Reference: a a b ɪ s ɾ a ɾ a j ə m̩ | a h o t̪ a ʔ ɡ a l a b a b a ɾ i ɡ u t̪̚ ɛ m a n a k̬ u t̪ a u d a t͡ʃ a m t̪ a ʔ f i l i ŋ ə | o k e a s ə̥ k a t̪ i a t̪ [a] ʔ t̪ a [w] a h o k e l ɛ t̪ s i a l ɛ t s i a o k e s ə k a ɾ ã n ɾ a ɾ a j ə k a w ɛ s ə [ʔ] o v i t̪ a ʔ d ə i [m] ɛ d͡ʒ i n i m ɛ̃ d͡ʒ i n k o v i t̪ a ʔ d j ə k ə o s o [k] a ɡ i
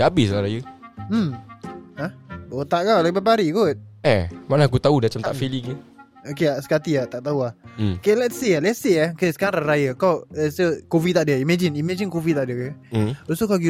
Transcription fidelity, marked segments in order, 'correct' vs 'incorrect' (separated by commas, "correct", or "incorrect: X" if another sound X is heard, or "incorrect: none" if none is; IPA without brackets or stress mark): correct, incorrect: u, incorrect: k, correct, correct